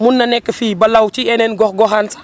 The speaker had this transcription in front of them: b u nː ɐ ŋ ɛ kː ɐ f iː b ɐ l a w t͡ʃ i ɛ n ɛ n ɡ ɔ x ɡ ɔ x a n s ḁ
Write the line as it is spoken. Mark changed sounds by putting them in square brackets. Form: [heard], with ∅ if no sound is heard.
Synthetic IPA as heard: [m] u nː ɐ [n] ɛ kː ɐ f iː b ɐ l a w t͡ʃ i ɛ n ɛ n ɡ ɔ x ɡ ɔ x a n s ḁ